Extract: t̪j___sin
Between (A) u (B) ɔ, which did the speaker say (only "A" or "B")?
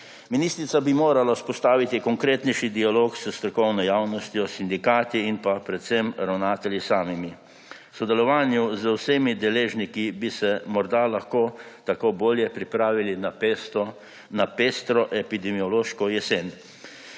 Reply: B